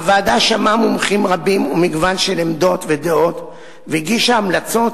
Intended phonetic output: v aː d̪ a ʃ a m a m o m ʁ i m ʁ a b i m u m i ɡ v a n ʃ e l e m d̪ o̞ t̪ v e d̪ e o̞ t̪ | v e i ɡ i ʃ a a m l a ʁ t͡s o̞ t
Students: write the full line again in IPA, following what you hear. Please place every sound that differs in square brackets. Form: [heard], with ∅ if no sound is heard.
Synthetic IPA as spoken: v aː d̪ a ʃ a m a m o m [χ] i m ʁ a b i m u m i ɡ v a n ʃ e l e m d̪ o̞ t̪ v e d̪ e o̞ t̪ | v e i ɡ i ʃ a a m l a [∅] t͡s o̞ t